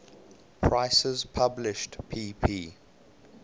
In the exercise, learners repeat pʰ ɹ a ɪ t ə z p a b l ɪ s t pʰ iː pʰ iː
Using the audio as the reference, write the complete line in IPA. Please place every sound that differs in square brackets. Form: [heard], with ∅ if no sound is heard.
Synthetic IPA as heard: pʰ ɹ a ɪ [s] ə z [pʰ] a b l ɪ [ʃ] t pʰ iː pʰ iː